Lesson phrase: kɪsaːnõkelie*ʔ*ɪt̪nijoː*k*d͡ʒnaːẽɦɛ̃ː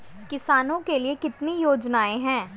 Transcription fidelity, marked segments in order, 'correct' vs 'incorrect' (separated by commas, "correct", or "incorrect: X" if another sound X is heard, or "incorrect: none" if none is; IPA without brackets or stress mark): incorrect: k, incorrect: none